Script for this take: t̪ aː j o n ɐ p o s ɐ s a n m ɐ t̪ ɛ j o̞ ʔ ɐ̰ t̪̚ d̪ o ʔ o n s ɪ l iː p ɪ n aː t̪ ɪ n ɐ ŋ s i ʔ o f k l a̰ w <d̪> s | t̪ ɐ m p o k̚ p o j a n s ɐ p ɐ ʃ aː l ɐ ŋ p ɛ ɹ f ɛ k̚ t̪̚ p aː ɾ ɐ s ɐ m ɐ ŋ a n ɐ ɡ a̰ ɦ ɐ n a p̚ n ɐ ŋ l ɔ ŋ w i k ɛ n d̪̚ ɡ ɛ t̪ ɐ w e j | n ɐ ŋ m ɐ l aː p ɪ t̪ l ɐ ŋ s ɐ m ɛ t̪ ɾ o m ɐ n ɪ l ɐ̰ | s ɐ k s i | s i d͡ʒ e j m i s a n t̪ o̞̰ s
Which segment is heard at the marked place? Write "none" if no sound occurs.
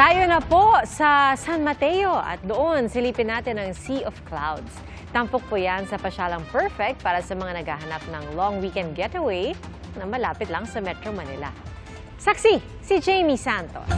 d̪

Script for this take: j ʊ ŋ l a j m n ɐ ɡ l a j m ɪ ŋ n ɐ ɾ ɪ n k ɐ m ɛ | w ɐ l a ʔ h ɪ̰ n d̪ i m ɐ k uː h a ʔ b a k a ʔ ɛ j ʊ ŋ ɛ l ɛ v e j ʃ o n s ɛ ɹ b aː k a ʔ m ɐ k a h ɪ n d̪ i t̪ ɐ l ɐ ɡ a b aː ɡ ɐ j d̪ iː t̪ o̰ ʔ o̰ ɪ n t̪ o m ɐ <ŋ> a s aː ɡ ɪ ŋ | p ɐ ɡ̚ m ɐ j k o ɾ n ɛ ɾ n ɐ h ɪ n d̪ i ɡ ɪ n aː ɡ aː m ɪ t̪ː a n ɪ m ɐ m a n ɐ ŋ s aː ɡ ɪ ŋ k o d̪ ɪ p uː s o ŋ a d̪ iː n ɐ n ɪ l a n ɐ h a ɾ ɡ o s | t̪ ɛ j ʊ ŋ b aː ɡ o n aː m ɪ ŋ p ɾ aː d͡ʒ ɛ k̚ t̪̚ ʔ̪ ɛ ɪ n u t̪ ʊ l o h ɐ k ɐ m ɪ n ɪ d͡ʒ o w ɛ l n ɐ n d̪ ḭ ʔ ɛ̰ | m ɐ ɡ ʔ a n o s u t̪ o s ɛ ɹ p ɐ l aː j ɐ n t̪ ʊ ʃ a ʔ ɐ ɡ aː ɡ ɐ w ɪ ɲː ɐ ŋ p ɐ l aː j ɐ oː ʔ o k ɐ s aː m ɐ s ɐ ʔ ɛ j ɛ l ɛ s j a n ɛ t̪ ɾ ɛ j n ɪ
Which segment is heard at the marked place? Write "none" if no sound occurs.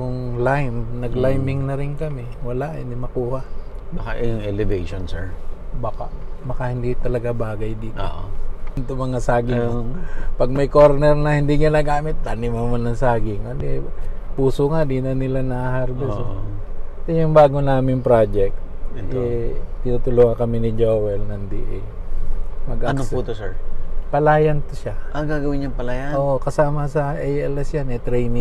ŋ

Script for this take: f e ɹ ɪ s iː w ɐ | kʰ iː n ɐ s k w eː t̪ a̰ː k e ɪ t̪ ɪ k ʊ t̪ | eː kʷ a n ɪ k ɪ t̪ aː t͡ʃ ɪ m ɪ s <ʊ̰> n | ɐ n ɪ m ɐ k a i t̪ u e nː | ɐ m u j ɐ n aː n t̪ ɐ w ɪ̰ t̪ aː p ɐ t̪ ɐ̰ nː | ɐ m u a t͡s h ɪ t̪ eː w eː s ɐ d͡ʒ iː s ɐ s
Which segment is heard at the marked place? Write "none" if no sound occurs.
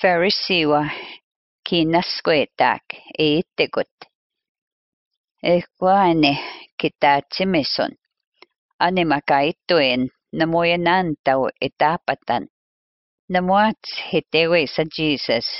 ʊ̰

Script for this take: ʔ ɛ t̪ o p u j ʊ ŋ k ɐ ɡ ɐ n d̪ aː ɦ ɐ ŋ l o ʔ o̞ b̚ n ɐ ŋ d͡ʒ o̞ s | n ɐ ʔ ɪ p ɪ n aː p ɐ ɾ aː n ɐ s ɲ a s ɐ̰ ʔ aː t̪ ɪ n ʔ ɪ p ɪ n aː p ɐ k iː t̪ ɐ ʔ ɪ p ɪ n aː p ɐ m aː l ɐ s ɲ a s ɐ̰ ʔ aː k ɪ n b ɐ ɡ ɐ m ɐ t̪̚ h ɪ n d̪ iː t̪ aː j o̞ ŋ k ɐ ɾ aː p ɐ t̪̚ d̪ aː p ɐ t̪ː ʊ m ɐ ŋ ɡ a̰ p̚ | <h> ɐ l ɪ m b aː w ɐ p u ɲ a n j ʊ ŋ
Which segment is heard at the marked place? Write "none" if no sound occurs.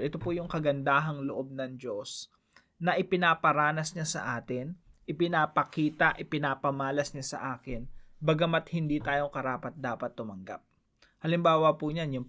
h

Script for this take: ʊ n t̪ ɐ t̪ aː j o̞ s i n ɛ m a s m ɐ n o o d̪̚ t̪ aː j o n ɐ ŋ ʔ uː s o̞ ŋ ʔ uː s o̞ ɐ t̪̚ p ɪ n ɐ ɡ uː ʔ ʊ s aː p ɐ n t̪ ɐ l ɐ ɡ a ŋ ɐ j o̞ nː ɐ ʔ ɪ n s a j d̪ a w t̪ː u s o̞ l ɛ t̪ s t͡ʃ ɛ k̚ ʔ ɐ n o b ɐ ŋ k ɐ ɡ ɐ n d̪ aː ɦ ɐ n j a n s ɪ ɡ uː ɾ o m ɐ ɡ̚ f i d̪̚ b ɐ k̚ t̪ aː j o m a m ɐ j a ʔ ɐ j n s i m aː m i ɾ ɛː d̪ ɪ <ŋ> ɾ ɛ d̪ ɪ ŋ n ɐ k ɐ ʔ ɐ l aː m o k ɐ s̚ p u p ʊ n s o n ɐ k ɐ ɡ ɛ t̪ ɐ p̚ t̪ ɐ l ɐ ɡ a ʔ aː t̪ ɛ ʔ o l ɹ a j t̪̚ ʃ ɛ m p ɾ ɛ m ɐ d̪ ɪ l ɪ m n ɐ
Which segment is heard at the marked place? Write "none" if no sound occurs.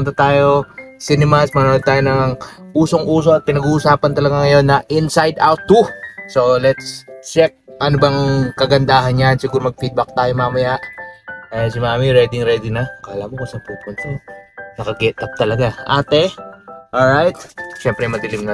ŋ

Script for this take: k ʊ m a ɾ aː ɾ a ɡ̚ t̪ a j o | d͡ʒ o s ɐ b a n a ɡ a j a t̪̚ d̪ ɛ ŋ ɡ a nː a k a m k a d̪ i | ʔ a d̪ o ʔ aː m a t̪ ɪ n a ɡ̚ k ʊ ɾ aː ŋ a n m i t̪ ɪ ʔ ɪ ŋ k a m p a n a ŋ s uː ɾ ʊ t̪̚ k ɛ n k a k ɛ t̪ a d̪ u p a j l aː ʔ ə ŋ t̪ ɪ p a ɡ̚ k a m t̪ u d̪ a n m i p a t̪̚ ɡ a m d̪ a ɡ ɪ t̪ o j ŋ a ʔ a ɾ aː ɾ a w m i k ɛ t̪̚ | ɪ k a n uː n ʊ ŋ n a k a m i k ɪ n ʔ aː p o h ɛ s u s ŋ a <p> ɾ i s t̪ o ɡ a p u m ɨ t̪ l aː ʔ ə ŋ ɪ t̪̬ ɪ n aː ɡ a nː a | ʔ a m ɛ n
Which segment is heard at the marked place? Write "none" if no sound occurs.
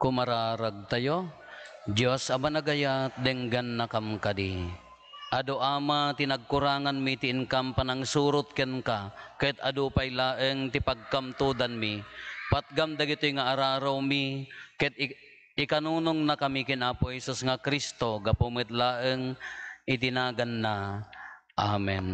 k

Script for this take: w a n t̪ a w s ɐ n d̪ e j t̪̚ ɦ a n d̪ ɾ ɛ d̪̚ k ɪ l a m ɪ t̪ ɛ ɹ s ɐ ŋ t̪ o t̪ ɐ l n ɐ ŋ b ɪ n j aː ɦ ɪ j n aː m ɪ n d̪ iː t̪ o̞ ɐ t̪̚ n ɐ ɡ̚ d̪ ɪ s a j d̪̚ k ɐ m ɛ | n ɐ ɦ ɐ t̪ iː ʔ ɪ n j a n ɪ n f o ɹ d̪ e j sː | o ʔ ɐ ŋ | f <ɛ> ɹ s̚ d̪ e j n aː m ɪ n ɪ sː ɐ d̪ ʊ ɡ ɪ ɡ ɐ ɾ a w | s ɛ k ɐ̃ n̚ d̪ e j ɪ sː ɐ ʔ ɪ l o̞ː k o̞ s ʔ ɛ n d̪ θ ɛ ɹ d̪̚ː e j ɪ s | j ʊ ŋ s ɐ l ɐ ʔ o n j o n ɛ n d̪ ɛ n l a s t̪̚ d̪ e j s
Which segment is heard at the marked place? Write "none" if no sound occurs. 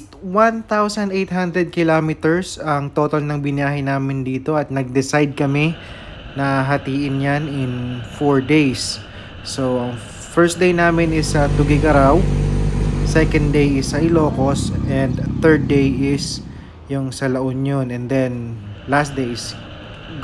ɛ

